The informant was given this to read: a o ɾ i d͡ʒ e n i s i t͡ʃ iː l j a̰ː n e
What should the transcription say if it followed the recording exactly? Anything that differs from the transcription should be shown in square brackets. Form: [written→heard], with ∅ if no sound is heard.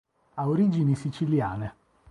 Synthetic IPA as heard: a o ɾ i d͡ʒ [e→i] n i s i t͡ʃ [iː→i] l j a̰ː n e

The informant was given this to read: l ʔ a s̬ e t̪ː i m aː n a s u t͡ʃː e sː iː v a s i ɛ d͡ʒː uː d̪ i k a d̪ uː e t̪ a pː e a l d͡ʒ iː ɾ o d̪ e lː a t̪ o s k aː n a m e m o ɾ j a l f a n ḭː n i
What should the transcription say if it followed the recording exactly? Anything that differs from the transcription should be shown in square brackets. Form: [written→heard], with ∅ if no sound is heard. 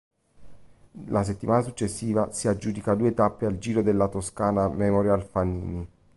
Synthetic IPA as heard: l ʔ a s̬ e t̪ː i m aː n a s u t͡ʃː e sː iː v a s i [ɛ→a] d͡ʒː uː d̪ i k a d̪ uː e t̪ a pː e a l d͡ʒ iː ɾ o d̪ e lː a t̪ o s k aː n a m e m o ɾ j a l f a n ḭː n i

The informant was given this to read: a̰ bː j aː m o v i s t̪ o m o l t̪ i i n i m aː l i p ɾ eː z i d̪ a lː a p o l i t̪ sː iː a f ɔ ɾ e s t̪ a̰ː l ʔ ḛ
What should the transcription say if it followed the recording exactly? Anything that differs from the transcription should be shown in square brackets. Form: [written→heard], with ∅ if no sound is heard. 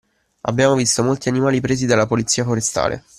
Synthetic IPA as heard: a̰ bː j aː m o v i s t̪ o m o l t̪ i [i→a] n i m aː l i p ɾ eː z i d̪ a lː a p o l i t̪ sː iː a f [ɔ→o] ɾ e s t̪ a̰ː l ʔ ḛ

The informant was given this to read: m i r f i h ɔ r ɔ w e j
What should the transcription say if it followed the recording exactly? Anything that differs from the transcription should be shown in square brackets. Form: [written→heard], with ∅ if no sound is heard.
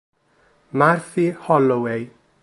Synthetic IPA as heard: m [i→a] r [f→θ] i h ɔ [r→l] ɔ w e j

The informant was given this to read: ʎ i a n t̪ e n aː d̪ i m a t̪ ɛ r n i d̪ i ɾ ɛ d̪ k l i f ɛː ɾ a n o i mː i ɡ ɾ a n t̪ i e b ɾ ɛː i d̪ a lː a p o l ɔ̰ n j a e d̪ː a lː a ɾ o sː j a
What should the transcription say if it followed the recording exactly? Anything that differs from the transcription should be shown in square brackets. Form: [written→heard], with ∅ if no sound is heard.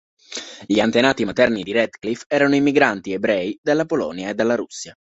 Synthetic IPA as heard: ʎ i a n t̪ e n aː [d̪→t̪] i m a t̪ ɛ r n i d̪ i ɾ ɛ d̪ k l i f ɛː ɾ a n o i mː i ɡ ɾ a n t̪ i e b ɾ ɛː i d̪ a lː a p o l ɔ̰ n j a e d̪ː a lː a ɾ [o→u] sː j a

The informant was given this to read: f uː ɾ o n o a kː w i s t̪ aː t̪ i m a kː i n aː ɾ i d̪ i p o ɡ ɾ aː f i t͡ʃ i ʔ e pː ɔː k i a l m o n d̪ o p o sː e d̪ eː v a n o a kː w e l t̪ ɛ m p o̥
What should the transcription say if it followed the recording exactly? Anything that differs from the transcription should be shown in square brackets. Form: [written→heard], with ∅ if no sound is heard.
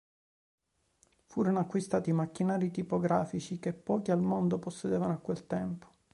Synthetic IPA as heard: f uː ɾ o n o a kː w i s t̪ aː t̪ i m a kː i n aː ɾ i [d̪→t̪] i p o ɡ ɾ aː f i t͡ʃ i [ʔ→k] e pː ɔː k i a l m o n d̪ o p o sː e d̪ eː v a n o a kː w e l t̪ ɛ m p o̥

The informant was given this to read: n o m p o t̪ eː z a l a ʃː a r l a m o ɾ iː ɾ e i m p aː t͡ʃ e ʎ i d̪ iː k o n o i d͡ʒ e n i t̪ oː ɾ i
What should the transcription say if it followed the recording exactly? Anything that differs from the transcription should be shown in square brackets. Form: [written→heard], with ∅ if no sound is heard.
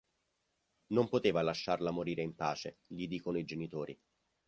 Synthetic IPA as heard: n o m p o t̪ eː [z→v] a l a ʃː a r l a m o ɾ iː ɾ e i m p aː t͡ʃ e ʎ i d̪ iː k o n o i d͡ʒ e n i t̪ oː ɾ i

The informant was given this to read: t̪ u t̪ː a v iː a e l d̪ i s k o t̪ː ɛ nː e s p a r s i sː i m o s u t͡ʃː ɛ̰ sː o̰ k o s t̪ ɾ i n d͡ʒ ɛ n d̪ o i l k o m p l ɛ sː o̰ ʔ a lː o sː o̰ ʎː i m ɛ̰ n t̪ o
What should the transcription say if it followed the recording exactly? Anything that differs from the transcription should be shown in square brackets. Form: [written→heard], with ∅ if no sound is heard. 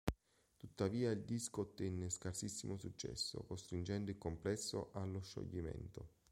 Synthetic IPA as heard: t̪ u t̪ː a v iː a [e→i] l d̪ i s k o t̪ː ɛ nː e s [p→k] a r s i sː i m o s u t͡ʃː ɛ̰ sː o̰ k o s t̪ ɾ i n d͡ʒ ɛ n d̪ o i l k o m p l ɛ sː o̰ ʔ a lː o [sː→ʃː] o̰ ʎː i m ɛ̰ n t̪ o

